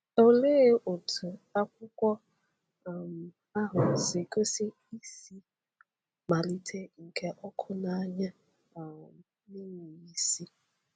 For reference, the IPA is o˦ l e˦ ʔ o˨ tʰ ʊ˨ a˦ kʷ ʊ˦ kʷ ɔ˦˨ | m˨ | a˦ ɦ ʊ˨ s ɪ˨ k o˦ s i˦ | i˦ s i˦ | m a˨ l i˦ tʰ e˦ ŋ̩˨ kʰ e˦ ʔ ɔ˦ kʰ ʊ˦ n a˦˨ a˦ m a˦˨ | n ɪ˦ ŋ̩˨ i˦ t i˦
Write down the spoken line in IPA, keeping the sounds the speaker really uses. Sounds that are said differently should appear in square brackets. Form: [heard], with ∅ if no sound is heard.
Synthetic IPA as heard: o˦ l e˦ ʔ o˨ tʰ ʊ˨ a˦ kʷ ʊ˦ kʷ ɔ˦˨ | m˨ | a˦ ɦ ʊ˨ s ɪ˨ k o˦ s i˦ | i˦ s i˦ | m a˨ l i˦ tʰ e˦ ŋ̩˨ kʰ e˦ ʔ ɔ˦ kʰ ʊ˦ n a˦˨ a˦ [ɲ] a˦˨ | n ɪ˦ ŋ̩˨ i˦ [s] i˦